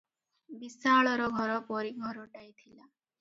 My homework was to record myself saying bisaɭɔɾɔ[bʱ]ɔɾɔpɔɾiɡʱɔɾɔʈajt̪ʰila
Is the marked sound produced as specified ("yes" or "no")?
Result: no